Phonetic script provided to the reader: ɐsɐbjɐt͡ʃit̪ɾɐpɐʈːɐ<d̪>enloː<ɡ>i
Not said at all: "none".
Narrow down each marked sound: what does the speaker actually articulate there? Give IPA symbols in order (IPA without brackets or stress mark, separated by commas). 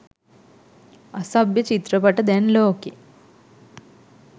d̪, k